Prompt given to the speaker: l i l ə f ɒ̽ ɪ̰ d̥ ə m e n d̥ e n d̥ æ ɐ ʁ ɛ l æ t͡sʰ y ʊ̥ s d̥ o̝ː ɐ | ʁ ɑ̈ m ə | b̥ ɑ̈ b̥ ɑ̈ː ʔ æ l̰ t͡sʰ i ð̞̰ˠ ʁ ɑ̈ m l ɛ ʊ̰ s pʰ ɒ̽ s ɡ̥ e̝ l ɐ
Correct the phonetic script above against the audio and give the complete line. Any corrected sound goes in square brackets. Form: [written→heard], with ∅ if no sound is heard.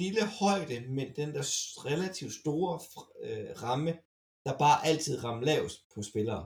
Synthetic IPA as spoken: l i l ə [f→h] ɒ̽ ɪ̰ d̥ ə m e n d̥ e n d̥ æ ɐ ʁ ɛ l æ t͡sʰ [y→i] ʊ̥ s d̥ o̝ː ɐ | ʁ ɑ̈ m ə | [b̥→d̥] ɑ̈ b̥ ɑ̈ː ʔ æ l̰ t͡sʰ i ð̞̰ˠ ʁ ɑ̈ m l ɛ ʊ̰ s pʰ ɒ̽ s [ɡ̥→b̥] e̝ l [ɐ→ɐː]